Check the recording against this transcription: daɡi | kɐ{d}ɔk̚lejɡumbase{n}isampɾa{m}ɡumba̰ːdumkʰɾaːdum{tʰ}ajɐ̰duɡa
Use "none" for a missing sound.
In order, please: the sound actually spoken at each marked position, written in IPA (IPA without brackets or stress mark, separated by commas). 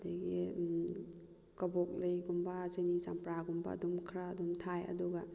b, n, none, tʰ